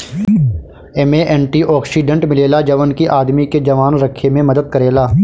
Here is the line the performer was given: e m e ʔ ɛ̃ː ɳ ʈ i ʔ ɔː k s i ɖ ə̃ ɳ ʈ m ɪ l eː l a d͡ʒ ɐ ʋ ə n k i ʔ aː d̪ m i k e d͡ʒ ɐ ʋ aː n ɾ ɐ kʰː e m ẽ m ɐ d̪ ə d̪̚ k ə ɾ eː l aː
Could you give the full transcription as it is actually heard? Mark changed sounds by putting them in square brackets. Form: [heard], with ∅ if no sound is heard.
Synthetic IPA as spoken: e m e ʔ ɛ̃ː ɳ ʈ i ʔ ɔː k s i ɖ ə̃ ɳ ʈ m ɪ l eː l a d͡ʒ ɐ ʋ ə n k i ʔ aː d̪ m i k e d͡ʒ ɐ ʋ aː n ɾ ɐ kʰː e m ẽ m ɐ d̪ ə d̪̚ k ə ɾ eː l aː

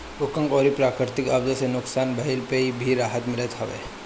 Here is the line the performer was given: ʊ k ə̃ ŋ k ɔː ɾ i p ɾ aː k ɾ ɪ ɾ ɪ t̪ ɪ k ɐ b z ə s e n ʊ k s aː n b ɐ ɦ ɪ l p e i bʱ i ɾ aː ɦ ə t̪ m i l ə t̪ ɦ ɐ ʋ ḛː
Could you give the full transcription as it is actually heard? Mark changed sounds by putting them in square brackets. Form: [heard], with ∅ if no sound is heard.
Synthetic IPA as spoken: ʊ k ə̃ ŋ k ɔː ɾ i p ɾ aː k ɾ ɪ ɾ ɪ t̪ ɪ k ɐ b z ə s e n ʊ k s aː n b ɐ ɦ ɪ l p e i bʱ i ɾ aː ɦ ə t̪ m [ɪ] l ə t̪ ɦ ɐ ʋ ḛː

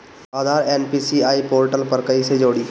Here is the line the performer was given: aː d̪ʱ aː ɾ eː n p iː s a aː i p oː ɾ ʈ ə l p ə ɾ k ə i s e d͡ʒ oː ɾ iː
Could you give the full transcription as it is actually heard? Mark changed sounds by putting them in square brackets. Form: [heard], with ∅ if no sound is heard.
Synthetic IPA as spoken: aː d̪ʱ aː ɾ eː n p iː s [i] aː i p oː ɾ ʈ ə l p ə ɾ k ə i s e d͡ʒ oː [ɽ] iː

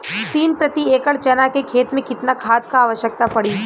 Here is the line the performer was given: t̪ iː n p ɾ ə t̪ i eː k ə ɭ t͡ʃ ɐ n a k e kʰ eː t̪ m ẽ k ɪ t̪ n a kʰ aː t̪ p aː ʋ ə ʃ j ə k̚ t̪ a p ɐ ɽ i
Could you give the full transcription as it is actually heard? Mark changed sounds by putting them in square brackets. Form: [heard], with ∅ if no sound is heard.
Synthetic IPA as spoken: t̪ iː n p ɾ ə t̪ i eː k ə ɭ t͡ʃ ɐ n a k e kʰ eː t̪ m ẽ k ɪ t̪ n a kʰ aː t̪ [k] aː ʋ ə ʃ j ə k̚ t̪ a p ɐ ɽ i

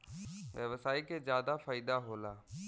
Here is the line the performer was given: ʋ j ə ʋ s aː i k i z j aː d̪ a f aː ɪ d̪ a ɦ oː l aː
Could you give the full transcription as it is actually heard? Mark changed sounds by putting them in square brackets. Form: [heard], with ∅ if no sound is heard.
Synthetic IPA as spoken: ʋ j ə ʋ s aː i k [e] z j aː d̪ a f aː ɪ d̪ a ɦ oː l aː

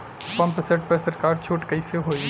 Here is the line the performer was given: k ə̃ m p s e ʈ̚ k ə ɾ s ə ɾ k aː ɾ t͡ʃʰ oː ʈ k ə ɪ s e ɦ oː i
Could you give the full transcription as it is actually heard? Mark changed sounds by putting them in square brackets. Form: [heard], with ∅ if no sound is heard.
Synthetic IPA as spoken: [p] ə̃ m p s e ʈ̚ [p] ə ɾ s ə ɾ k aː ɾ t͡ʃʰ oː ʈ k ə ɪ s e ɦ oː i

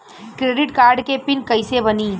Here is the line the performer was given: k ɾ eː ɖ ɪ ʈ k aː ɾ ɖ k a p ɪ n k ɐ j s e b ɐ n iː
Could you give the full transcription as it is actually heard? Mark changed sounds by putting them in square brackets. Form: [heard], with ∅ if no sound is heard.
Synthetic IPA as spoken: k ɾ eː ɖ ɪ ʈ k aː ɾ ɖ k [e] p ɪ n k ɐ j s e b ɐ n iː

